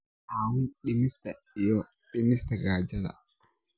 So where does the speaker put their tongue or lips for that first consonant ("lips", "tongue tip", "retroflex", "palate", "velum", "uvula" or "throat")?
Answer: throat